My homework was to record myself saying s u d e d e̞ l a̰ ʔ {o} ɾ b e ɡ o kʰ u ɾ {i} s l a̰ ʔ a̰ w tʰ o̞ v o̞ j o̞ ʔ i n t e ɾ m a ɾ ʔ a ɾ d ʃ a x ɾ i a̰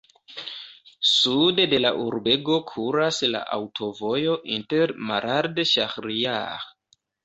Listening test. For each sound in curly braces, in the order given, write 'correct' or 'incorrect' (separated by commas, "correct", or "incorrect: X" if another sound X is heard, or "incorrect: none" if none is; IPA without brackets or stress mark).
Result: incorrect: u, incorrect: a